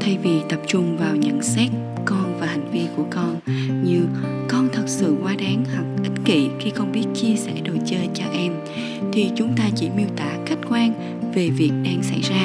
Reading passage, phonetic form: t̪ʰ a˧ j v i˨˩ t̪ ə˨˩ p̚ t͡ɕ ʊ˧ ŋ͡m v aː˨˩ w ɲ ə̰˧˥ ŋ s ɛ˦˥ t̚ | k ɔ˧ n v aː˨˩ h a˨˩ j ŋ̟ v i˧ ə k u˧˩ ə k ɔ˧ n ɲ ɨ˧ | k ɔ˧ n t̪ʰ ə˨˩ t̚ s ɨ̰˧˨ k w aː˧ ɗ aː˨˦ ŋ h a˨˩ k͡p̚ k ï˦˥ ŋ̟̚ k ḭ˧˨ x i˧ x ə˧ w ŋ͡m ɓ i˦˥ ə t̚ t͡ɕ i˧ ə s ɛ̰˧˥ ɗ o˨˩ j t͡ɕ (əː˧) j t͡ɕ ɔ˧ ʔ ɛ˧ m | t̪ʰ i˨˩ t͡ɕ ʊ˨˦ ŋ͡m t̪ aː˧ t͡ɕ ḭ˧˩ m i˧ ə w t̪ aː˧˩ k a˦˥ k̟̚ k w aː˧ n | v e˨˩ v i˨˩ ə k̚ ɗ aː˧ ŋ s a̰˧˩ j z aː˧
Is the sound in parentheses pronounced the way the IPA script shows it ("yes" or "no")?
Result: yes